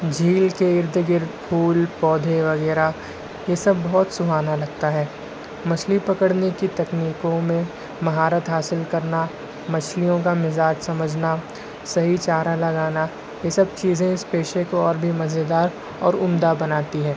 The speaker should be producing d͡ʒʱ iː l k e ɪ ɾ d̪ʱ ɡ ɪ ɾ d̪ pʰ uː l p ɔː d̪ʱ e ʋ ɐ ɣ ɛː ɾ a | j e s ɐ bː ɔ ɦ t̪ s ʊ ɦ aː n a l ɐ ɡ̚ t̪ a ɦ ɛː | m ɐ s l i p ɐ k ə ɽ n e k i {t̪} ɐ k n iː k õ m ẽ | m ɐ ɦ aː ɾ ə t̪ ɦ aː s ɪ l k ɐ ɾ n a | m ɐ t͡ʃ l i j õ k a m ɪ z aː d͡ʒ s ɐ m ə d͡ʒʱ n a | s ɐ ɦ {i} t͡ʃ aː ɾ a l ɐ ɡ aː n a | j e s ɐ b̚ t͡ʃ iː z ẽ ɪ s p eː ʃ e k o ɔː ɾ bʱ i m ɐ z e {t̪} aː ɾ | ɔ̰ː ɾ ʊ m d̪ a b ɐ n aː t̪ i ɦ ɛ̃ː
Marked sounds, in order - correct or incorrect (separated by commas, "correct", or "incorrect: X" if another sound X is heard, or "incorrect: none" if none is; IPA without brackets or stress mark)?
correct, correct, incorrect: d̪